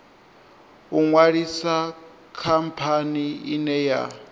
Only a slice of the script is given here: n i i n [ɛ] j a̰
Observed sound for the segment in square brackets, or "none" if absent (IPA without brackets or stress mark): ɛ